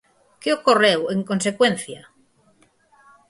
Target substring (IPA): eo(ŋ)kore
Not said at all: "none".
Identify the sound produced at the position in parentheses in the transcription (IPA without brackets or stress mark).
none